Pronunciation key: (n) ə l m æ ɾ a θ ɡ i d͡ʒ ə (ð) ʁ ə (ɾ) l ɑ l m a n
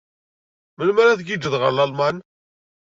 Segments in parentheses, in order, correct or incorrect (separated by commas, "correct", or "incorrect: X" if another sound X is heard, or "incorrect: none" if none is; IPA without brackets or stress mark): incorrect: m, correct, correct